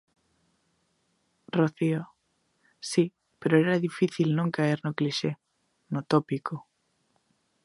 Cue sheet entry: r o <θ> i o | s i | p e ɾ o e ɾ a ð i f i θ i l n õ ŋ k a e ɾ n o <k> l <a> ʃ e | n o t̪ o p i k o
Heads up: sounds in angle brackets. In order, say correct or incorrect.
correct, correct, incorrect: i

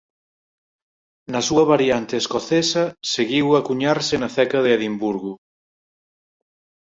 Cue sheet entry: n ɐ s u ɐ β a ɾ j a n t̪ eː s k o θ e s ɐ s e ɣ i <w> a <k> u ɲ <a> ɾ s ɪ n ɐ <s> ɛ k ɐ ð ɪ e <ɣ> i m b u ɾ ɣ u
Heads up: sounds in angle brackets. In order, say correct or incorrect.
correct, correct, correct, incorrect: θ, incorrect: ð

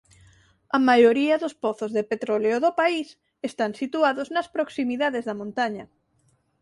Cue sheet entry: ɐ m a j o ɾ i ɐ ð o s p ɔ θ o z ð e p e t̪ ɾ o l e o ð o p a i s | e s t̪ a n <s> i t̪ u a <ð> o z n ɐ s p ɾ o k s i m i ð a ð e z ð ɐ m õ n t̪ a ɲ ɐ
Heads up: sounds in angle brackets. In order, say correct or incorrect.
correct, correct

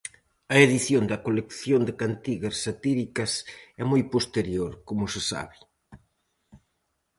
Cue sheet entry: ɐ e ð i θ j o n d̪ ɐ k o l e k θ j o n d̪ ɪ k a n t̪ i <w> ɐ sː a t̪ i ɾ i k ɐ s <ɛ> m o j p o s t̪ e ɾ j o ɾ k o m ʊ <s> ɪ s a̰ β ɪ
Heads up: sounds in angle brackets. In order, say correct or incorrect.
incorrect: ɣ, correct, correct

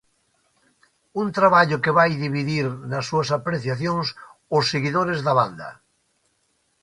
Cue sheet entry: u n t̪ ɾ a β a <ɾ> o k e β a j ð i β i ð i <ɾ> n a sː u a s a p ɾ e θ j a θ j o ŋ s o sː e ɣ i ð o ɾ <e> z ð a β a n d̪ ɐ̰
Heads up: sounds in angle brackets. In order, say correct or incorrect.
incorrect: ʎ, correct, correct

